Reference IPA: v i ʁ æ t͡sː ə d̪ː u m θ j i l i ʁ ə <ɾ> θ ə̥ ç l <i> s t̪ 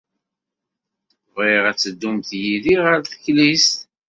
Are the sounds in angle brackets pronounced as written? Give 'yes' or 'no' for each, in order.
yes, yes

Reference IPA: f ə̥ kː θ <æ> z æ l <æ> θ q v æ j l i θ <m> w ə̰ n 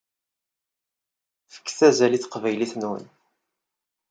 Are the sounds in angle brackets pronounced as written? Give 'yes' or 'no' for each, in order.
yes, no, no

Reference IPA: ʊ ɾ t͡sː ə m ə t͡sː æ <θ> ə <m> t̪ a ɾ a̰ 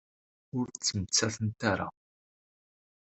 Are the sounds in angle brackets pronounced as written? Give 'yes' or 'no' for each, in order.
yes, no

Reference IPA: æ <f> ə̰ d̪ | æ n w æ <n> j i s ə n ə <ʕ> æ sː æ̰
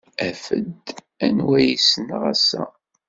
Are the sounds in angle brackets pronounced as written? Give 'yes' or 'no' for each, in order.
yes, no, no

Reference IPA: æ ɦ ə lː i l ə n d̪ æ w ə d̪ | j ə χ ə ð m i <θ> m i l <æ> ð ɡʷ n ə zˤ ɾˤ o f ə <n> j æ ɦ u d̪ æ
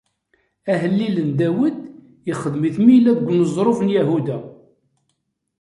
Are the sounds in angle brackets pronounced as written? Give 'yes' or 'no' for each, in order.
yes, yes, yes

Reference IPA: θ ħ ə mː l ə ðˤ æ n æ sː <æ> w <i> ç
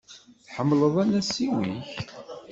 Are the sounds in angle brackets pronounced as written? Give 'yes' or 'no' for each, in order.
no, yes

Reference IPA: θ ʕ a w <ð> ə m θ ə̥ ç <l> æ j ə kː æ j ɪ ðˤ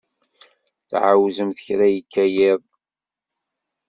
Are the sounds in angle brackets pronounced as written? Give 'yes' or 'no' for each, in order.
no, no

